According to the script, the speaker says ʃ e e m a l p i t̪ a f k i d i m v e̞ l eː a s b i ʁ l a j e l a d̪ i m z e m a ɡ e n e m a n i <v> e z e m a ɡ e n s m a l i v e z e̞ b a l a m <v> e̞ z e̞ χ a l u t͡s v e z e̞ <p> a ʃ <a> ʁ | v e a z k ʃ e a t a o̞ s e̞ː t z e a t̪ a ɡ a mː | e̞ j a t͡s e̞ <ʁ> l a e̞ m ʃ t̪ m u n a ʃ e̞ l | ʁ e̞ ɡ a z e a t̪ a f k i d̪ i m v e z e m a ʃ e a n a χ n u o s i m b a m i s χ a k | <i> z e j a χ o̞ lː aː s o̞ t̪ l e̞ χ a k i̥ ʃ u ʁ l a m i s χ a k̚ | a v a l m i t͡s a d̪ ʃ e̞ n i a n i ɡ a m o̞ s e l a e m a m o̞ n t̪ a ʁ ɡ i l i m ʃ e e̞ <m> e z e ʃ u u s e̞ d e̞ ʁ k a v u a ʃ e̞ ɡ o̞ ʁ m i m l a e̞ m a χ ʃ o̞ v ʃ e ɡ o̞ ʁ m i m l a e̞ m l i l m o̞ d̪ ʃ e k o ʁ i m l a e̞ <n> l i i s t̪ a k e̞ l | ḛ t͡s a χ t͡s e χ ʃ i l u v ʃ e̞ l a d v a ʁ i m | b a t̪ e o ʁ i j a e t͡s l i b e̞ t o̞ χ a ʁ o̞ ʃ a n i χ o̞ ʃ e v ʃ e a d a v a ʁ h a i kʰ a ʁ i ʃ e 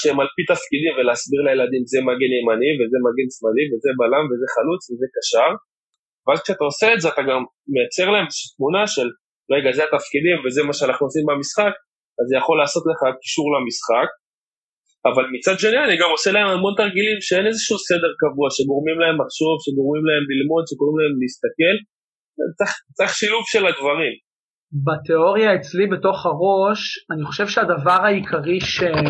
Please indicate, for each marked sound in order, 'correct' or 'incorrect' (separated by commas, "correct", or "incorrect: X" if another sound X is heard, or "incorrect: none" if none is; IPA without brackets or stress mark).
correct, correct, incorrect: k, correct, correct, incorrect: a, incorrect: n, incorrect: m